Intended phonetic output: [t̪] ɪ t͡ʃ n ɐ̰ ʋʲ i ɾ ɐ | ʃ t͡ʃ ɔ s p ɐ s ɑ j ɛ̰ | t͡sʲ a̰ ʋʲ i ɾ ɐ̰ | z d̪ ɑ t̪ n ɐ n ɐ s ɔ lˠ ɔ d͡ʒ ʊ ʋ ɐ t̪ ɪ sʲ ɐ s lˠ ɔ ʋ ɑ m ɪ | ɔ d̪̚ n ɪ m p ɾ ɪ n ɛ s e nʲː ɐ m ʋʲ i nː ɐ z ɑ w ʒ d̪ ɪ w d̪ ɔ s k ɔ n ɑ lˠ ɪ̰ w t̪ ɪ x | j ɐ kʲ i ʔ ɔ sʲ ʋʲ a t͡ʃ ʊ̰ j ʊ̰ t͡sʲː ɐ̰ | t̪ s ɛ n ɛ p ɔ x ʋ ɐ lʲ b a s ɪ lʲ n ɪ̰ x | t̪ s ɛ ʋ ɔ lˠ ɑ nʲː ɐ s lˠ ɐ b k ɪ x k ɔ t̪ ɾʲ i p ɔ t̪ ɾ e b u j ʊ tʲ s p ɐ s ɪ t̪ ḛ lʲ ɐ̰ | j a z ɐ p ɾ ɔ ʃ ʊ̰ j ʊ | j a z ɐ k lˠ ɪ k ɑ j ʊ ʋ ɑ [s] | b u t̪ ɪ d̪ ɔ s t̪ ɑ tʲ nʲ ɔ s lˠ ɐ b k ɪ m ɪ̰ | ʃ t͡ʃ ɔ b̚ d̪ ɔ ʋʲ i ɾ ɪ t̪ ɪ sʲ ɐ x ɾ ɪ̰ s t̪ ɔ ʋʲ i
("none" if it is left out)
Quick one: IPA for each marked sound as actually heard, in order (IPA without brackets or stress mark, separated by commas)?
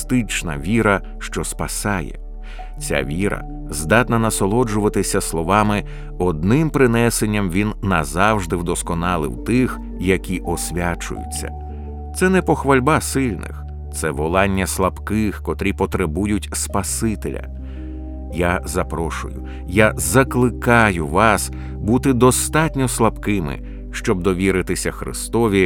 t̪, s